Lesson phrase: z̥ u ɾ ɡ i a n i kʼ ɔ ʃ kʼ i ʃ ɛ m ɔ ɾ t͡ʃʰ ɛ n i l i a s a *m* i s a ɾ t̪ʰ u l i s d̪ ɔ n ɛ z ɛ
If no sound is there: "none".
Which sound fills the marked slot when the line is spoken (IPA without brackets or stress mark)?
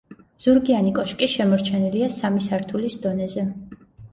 m